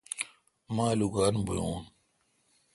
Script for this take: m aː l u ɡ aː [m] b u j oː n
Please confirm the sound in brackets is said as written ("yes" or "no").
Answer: no